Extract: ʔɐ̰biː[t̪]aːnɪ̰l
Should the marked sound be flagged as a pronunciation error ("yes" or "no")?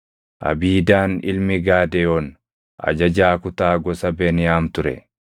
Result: yes